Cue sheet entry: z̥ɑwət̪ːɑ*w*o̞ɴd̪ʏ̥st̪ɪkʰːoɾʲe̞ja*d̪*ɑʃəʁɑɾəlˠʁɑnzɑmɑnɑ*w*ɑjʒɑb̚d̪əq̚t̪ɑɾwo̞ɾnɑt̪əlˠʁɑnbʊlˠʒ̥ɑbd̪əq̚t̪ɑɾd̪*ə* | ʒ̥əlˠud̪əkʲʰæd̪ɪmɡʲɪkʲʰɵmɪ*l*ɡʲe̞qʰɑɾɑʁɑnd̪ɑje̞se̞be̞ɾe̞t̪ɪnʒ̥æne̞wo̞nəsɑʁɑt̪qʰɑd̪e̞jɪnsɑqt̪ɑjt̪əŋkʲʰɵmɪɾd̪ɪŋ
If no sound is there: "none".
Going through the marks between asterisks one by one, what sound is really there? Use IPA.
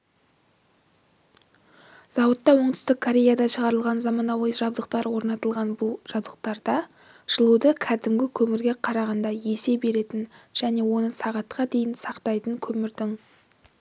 w, d̪, w, ɑ, ɾ

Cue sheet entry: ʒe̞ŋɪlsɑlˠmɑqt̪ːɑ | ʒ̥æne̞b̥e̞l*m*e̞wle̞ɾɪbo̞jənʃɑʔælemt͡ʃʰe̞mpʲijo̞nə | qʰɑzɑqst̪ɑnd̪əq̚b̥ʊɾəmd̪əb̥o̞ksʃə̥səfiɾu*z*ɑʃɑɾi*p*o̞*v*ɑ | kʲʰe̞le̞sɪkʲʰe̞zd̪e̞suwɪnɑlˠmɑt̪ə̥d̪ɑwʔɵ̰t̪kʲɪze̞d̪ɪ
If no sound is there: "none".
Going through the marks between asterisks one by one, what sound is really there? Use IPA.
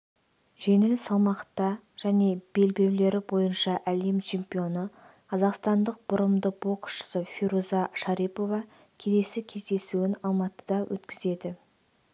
b, z, p, v

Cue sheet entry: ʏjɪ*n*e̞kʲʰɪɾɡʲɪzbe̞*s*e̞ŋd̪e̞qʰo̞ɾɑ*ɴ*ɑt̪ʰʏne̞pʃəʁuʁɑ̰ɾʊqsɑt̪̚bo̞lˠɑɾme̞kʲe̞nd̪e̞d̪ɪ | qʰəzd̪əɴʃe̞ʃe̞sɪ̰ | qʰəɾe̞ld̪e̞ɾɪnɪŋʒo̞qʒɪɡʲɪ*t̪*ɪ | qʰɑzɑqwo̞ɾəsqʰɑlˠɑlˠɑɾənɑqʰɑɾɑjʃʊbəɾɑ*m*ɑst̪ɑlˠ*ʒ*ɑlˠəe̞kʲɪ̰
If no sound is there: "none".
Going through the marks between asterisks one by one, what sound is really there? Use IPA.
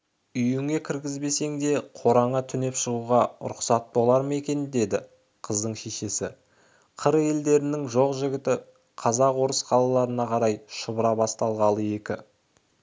ŋ, s, ɴ, t̪, b, ʁ

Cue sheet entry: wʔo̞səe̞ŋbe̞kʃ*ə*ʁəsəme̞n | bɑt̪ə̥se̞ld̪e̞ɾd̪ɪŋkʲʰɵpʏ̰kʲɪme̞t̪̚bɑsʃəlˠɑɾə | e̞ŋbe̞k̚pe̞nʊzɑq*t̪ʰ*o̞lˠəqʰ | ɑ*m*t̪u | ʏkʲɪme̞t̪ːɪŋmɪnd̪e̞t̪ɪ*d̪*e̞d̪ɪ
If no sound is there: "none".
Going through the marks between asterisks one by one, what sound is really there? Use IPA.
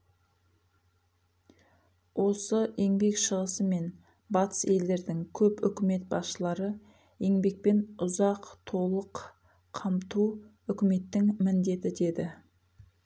ə, t̪ʰ, m, d̪

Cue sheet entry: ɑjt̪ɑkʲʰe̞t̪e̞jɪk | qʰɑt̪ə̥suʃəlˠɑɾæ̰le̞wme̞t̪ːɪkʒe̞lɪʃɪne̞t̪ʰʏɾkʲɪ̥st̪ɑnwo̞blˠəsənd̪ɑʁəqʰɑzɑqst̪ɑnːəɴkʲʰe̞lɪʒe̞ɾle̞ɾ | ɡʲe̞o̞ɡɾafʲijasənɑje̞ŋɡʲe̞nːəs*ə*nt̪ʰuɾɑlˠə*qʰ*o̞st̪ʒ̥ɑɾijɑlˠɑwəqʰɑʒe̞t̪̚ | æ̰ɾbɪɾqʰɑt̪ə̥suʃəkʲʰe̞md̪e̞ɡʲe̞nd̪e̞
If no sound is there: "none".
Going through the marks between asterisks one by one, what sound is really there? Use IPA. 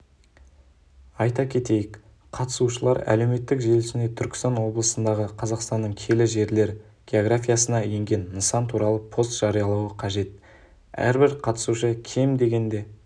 ɑ, pʰ

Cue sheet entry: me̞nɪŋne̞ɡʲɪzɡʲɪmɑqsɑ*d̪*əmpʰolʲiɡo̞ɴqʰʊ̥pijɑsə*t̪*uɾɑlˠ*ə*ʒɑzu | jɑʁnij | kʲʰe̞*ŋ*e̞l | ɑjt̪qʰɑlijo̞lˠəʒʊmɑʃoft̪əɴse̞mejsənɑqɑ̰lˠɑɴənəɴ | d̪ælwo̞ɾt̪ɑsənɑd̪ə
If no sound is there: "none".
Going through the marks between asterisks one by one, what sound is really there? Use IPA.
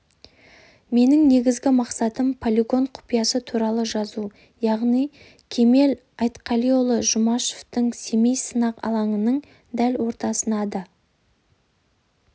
t̪, t̪ʰ, ə, m

